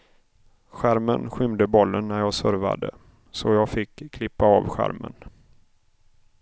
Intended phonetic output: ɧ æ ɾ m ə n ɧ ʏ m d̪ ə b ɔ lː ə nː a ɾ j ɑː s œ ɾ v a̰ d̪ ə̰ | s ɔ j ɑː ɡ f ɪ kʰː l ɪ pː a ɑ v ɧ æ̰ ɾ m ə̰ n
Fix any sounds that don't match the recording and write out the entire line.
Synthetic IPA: ɧ æ ɾ m ə n ɧ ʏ m d̪ ə b ɔ lː ə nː æ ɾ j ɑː s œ ɾ v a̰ d̪ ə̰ | s ɔ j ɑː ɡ f ɪ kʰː l ɪ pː a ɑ v ɧ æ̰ ɾ m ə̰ n